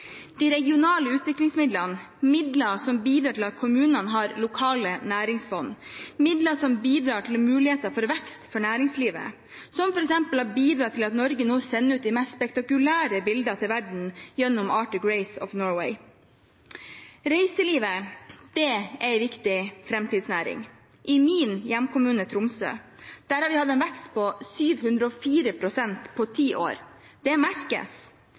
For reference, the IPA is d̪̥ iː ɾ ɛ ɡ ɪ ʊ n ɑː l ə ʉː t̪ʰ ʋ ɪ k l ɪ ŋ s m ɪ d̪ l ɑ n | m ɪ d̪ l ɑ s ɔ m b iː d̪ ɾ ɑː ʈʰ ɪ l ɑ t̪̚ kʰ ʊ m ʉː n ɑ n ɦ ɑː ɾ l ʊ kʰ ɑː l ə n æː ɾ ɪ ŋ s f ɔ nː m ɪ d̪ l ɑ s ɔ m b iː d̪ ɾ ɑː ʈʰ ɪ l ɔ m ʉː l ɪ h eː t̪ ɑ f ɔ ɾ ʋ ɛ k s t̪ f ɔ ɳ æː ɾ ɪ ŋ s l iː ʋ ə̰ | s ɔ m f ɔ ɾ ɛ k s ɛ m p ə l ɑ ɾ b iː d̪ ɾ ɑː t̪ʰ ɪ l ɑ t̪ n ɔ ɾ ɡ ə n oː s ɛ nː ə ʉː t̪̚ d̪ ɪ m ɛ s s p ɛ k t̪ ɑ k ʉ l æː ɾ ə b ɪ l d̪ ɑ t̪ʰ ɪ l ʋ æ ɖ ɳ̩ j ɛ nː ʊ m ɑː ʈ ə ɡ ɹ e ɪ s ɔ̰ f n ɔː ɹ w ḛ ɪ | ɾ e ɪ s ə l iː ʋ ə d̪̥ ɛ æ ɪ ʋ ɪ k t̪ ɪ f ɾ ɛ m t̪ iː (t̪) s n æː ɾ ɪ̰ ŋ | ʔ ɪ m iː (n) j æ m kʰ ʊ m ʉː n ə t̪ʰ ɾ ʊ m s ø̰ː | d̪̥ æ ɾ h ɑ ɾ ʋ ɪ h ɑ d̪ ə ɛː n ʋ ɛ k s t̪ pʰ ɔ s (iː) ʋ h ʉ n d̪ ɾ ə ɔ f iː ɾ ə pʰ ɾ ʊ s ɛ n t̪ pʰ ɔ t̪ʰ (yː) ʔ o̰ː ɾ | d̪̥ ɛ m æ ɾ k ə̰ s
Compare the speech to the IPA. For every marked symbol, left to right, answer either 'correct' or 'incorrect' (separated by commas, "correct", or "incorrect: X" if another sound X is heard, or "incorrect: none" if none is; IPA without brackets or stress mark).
incorrect: d̪, correct, incorrect: yː, incorrect: iː